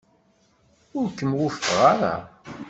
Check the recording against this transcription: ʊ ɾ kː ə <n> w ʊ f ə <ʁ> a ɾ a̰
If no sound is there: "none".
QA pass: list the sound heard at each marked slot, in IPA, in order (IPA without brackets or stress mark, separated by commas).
m, ʁ